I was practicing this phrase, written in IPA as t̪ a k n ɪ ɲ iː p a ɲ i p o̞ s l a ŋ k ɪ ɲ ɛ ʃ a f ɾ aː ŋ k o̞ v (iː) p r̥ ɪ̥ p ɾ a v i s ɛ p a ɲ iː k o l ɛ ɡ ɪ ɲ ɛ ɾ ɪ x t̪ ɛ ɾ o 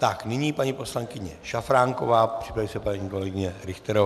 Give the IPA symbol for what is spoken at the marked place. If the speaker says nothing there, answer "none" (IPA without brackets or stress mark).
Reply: aː